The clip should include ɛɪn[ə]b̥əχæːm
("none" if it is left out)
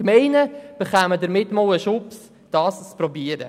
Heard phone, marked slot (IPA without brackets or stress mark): ə